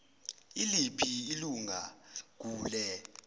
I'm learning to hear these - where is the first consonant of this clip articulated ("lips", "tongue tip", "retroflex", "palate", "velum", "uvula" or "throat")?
tongue tip